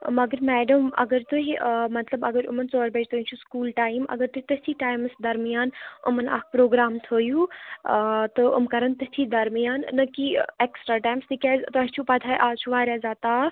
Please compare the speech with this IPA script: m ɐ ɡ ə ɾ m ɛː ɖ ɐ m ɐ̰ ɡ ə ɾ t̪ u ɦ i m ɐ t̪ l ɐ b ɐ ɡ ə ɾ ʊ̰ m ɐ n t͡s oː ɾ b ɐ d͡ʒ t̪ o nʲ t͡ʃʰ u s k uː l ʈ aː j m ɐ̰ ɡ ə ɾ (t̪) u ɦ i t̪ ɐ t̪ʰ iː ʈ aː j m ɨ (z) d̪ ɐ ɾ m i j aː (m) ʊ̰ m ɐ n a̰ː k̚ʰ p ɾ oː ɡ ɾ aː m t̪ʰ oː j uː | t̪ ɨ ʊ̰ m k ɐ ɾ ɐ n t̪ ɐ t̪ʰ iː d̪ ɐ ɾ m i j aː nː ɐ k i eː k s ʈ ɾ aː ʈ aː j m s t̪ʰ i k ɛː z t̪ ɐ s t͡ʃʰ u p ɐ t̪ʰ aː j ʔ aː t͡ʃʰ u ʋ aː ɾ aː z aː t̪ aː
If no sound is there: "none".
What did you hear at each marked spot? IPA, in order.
t̪, s, n

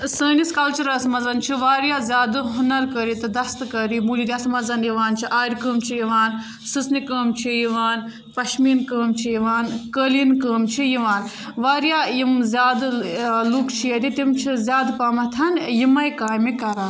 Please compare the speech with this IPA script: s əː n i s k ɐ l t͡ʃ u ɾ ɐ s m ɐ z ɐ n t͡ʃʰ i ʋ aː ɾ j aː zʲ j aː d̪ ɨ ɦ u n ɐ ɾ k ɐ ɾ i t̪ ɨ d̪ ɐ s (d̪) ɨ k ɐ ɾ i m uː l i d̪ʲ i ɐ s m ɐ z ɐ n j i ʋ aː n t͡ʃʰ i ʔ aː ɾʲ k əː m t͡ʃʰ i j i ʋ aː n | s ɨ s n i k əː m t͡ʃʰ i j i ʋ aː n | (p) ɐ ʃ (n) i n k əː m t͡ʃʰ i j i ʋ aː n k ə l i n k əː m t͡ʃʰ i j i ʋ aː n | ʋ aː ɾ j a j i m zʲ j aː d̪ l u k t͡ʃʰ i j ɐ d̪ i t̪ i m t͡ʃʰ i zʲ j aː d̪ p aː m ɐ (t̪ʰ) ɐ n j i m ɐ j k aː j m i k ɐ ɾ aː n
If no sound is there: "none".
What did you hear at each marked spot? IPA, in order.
t̪, p, m, t̪ʰ

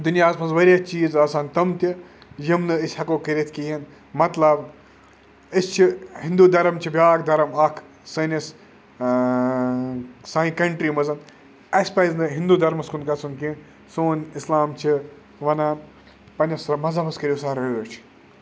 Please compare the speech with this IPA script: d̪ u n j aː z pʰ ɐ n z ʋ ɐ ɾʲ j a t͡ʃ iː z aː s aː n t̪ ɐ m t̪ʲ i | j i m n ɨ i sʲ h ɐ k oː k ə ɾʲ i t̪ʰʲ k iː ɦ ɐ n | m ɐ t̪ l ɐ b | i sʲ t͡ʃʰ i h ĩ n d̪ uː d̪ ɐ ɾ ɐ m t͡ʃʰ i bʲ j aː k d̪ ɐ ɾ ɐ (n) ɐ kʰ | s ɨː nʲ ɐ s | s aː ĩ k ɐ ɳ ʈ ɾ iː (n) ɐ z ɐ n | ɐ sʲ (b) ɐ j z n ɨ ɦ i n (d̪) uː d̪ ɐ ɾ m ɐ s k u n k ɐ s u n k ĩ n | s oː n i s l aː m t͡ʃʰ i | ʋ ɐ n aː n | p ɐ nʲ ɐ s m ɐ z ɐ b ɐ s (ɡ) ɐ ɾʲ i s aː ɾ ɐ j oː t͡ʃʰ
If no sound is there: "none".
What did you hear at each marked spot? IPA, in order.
m, m, p, d̪, k

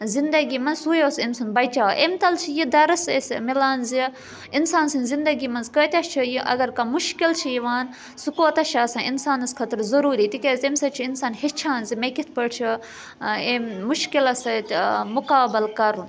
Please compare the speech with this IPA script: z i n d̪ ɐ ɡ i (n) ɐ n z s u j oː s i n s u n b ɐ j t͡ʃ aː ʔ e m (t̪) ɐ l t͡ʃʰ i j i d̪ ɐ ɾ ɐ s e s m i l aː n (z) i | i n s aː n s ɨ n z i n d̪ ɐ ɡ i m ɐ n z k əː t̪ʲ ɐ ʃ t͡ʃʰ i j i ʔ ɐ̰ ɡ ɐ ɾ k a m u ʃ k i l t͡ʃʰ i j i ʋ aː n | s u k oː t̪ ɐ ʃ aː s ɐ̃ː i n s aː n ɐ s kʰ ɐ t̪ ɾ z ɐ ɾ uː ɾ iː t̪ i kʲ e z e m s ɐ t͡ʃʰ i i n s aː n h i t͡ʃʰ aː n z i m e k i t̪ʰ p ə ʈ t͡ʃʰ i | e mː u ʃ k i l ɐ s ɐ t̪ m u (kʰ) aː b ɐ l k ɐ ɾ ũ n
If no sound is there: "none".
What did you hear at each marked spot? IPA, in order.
m, t̪, z, k

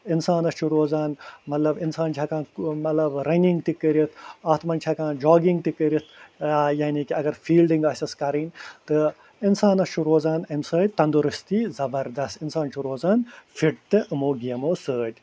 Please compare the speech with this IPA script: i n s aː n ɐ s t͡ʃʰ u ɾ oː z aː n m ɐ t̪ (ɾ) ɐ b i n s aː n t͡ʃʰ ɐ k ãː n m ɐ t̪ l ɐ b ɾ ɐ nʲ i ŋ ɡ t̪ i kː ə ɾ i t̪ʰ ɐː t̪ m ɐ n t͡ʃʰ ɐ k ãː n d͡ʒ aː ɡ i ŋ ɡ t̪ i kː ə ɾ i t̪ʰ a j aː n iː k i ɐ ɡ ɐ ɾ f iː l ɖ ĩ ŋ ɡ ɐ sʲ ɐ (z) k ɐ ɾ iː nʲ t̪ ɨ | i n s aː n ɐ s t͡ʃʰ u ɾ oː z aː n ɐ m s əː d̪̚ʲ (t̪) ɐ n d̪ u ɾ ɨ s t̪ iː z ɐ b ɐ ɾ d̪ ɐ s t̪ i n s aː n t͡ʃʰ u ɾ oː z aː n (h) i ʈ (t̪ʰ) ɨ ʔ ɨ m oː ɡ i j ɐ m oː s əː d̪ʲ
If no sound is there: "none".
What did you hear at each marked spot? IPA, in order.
l, s, t̪, f, t̪

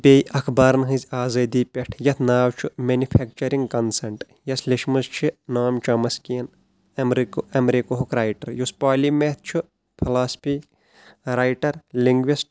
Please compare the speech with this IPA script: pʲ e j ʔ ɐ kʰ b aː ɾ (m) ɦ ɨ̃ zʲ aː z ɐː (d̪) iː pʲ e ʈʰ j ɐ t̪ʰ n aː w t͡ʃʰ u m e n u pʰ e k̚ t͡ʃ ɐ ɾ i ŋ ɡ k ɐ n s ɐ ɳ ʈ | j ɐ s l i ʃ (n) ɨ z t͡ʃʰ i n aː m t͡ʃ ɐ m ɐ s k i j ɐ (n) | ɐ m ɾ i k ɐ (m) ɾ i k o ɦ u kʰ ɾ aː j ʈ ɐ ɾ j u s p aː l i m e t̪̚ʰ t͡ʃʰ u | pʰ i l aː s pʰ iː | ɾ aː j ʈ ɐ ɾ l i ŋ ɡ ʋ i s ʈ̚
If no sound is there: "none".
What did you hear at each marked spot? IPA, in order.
n, d̪, m, n, m

